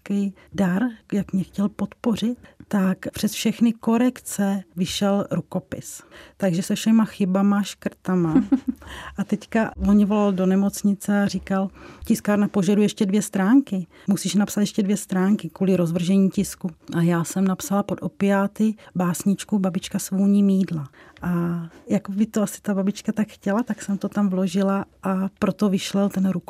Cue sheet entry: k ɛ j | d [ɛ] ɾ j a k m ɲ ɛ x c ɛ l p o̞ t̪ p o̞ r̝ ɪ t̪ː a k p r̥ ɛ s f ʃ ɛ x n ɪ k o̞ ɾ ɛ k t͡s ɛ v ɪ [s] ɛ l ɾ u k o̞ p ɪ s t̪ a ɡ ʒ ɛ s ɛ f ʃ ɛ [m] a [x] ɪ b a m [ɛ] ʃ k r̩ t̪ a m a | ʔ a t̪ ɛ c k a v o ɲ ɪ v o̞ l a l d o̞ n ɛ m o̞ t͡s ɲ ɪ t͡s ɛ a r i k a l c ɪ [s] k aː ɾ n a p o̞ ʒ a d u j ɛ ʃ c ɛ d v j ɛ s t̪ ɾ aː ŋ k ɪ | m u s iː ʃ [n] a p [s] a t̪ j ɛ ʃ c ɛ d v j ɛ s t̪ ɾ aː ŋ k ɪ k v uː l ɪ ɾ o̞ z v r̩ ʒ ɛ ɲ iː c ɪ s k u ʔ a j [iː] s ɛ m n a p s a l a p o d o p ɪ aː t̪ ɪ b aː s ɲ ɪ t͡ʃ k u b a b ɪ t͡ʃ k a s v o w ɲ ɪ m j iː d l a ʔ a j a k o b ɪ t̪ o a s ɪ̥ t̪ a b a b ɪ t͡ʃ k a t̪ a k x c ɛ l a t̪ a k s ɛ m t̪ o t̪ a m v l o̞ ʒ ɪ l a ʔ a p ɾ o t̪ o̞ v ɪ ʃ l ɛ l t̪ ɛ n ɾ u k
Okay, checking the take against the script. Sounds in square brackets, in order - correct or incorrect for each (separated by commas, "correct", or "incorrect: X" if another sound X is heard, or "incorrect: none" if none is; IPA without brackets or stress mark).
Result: incorrect: a, incorrect: ʃ, correct, correct, incorrect: a, correct, correct, correct, incorrect: aː